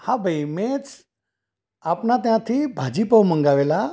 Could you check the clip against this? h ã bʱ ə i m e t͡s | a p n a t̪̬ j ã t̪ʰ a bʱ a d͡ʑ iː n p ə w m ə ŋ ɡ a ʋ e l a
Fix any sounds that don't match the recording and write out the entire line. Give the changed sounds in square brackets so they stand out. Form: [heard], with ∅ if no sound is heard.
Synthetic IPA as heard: h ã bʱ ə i m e t͡s | a p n a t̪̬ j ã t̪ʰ [i] bʱ a d͡ʑ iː [∅] p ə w m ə ŋ ɡ a ʋ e l a